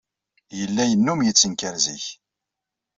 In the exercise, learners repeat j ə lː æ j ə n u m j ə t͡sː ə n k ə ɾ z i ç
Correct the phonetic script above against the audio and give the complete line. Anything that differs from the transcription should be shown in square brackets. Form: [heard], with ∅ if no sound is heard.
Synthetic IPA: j ə lː æ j ə [nː] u m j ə t͡sː ə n k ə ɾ z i ç